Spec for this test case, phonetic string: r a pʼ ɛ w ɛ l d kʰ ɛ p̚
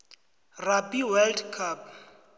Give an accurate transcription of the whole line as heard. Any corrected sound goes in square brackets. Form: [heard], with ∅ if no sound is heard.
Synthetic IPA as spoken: r a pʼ [i] w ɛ l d kʰ [a] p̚

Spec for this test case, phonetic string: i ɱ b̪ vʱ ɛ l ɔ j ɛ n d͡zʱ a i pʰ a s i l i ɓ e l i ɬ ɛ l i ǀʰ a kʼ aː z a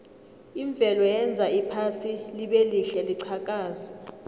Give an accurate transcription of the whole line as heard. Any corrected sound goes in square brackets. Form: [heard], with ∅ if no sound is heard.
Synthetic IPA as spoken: i ɱ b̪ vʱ ɛ l ɔ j ɛ n d͡zʱ a i pʰ a s i l i ɓ e l i ɬ ɛ l i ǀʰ a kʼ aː z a

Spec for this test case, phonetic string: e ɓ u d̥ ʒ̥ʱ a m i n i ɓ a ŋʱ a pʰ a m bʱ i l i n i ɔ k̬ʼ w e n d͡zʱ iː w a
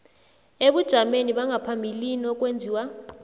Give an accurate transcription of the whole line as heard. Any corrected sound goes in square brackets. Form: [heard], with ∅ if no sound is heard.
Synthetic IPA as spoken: e ɓ u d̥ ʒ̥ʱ a m [e] n i ɓ a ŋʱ a pʰ a m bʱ i l i n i ɔ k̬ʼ w e n d͡zʱ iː w a

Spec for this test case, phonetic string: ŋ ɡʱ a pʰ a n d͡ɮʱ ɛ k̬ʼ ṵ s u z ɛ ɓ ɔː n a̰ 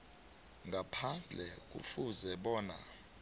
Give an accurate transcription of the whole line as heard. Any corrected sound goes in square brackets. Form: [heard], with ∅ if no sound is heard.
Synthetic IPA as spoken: ŋ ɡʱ a pʰ a n d͡ɮʱ ɛ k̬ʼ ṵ [f] u z ɛ ɓ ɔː n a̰

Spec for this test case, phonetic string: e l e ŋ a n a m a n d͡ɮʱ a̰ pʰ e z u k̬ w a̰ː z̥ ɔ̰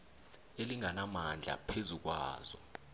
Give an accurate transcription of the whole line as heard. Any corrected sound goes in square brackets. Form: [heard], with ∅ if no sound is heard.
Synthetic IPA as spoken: e l [i] ŋ a n a m a n d͡ɮʱ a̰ pʰ e z u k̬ w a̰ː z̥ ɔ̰

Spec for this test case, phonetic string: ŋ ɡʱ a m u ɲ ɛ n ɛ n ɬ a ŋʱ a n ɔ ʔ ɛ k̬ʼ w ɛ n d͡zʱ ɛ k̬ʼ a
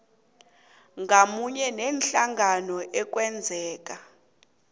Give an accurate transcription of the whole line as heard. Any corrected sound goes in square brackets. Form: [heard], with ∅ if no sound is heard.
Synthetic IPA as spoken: ŋ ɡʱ a m u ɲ ɛ n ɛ n ɬ a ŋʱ a n ɔ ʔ ɛ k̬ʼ w ɛ n d͡zʱ [ɛː] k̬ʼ a

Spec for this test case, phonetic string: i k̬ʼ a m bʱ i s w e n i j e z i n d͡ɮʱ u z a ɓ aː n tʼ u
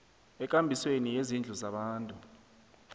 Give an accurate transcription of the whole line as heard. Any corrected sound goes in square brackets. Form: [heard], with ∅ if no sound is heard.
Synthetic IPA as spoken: [ɛ] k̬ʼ a m bʱ i s w e n i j e z i n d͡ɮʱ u z a ɓ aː n tʼ u

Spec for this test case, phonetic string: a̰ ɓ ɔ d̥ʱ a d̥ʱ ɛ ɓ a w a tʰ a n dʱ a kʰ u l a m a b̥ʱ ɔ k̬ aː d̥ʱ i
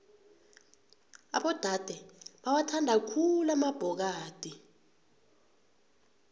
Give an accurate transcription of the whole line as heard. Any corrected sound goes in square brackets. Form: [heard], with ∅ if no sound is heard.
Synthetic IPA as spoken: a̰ ɓ ɔ d̥ʱ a d̥ʱ ɛ ɓ a w a tʰ a n dʱ a kʰ u l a m a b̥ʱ ɔ k̬ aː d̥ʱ i

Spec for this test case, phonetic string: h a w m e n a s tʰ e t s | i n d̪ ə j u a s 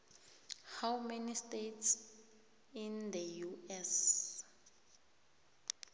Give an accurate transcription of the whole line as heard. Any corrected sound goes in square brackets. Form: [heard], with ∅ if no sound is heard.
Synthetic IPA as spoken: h a w m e n [i] s [t] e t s | i n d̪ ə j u [ɛ] s

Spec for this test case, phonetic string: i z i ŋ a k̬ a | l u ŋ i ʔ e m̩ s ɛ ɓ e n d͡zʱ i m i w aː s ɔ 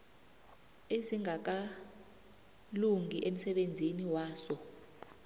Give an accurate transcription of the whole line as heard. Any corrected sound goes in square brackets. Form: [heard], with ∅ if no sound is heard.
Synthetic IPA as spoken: [e] z i ŋ a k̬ a | l u ŋ i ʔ e m̩ s ɛ ɓ e n d͡zʱ i [n] i w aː s ɔ

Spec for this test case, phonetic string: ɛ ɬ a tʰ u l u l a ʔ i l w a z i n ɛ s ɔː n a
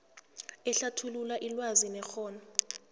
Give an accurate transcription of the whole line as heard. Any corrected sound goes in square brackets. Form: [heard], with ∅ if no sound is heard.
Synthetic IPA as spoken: ɛ ɬ a tʰ u l u l a ʔ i l w a z i n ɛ [x] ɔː n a

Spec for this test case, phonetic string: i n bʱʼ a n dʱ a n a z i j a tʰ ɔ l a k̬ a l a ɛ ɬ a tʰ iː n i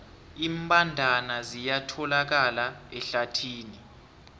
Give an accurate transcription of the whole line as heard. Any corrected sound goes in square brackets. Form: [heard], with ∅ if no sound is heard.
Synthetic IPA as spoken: i [m] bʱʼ a n dʱ a n a z i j a tʰ ɔ l a k̬ a l a ɛ ɬ a tʰ iː n i

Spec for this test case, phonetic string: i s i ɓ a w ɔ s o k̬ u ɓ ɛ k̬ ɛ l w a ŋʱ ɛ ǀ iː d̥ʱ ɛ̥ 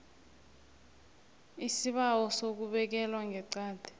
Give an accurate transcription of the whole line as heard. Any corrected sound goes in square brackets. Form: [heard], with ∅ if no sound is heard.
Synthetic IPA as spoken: i s i ɓ a w ɔ s o k̬ u ɓ ɛ k̬ ɛ l w a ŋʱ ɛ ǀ [aː] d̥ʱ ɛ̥

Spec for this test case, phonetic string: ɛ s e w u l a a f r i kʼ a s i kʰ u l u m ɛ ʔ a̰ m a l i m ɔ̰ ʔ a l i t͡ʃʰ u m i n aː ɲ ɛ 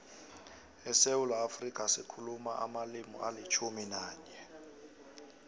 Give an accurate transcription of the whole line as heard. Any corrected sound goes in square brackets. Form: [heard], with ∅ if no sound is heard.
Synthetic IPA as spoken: ɛ s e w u l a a f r i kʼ a s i kʰ u l u m [a] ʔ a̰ m a l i m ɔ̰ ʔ a l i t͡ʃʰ u m i n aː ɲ ɛ

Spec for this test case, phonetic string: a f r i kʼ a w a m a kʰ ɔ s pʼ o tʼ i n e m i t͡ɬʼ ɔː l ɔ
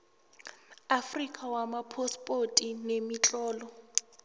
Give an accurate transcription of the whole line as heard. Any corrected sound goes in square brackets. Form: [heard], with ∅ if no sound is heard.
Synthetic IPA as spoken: a f r i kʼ a w a m a [pʰ] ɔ s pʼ o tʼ i n e m i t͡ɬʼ ɔː l ɔ

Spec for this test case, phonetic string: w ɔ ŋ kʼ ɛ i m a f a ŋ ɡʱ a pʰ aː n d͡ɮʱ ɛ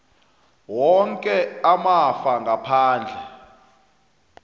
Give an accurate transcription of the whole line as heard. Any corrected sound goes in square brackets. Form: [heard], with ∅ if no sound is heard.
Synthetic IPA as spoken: w ɔ ŋ kʼ ɛ [a] m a f a ŋ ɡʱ a pʰ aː n d͡ɮʱ ɛ

